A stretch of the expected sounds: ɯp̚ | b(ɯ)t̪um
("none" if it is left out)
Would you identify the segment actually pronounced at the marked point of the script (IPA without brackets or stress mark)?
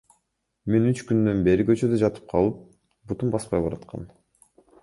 u